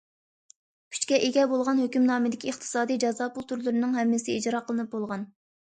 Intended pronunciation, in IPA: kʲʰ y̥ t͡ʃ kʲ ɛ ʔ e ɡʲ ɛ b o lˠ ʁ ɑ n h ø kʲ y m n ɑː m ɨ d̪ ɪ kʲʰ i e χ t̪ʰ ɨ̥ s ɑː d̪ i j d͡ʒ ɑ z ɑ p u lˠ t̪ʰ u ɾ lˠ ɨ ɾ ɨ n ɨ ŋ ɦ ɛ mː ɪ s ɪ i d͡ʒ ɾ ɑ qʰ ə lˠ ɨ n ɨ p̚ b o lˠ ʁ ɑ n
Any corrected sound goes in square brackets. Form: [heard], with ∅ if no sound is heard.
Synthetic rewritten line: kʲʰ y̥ t͡ʃ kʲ ɛ ʔ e ɡʲ ɛ b o lˠ ʁ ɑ n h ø kʲ y m n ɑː m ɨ d̪ ɪ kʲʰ i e χ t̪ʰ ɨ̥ s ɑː d̪ i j d͡ʒ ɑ z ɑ p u lˠ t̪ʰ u ɾ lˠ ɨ ɾ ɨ n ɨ ŋ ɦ ɛ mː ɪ s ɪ i d͡ʒ ɾ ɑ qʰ ə lˠ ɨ n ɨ p̚ b o lˠ ʁ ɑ n